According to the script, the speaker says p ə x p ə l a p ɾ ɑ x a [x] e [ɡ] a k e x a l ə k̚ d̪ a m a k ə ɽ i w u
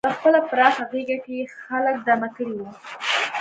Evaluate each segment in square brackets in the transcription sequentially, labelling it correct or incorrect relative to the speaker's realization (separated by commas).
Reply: incorrect, correct